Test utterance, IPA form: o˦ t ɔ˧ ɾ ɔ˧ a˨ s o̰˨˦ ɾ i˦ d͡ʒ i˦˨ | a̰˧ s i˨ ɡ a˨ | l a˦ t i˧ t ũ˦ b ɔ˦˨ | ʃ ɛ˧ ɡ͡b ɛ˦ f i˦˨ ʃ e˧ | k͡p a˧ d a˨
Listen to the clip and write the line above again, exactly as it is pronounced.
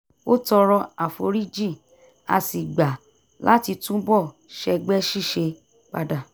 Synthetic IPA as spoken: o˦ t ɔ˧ ɾ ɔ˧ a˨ f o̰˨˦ ɾ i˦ d͡ʒ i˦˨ | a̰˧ s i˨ ɡ͡b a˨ | l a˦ t i˧ t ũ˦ b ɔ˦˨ | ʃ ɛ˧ ɡ͡b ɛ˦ ʃ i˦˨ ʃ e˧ | k͡p a˧ d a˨